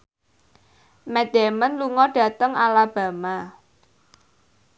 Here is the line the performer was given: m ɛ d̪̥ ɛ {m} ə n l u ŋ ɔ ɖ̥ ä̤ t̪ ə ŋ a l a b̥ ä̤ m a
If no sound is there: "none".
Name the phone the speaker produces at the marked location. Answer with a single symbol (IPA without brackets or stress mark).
m